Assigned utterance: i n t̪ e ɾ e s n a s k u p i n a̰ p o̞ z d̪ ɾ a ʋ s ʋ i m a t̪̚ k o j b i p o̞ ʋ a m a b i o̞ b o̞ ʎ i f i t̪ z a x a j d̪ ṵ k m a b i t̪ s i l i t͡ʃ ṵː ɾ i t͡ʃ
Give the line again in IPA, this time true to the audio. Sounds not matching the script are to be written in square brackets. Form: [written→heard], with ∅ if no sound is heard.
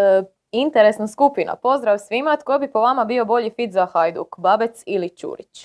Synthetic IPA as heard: i n t̪ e ɾ e s n a s k u p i n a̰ p o̞ z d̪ ɾ a ʋ s ʋ i m a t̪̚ k o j b i p o̞ ʋ a m a b i o̞ b o̞ ʎ i f i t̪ z a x a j d̪ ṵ k [m→b] a b [i→e] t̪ s i l i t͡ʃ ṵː ɾ i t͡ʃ